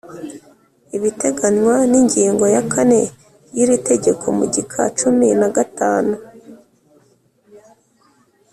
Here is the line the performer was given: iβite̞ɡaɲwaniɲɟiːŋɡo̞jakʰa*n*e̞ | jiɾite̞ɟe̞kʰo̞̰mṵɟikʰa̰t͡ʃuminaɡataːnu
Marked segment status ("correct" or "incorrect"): correct